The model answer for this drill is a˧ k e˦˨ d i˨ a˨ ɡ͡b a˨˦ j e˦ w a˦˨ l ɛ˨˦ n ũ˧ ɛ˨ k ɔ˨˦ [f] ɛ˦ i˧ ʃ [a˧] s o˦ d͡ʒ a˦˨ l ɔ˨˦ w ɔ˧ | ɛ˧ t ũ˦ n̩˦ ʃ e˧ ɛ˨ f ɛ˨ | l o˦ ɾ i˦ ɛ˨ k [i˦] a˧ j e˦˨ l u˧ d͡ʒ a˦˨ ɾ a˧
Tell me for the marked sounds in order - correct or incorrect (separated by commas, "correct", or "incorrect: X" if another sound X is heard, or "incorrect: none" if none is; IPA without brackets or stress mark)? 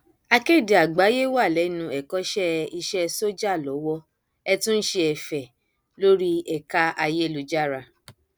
incorrect: ʃ, incorrect: ɛ˧, incorrect: a˦